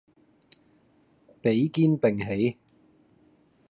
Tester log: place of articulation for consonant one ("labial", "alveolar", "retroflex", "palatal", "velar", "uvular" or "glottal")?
labial